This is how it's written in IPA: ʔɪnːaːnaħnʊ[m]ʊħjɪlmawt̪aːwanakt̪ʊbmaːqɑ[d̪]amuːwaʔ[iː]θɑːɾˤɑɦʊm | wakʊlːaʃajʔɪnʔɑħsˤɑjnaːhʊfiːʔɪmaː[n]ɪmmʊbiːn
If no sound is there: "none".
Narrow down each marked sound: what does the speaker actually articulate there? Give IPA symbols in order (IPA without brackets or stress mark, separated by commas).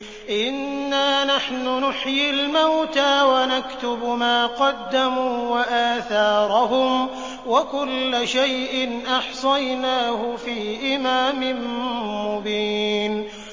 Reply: n, d̪ː, aː, m